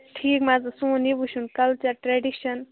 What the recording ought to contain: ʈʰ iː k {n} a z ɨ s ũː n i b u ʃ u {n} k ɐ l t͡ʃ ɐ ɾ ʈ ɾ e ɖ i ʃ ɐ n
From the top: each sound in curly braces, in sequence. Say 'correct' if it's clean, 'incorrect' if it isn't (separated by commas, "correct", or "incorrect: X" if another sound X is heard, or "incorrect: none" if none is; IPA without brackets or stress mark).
incorrect: m, correct